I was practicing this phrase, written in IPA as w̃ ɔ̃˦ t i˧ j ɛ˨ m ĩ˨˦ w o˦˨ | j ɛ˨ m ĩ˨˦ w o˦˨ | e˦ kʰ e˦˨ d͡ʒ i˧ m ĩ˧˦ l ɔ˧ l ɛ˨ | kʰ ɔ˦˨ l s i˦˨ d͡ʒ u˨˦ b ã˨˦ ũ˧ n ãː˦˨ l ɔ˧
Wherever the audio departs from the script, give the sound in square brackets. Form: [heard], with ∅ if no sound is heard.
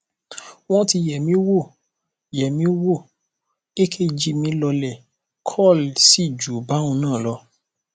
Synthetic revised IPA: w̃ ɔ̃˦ t i˧ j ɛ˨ m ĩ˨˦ w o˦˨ | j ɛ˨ m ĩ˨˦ w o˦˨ | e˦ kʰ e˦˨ d͡ʒ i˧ m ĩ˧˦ l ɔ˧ l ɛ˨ | kʰ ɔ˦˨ l s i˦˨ d͡ʒ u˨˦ b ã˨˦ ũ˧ n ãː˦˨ l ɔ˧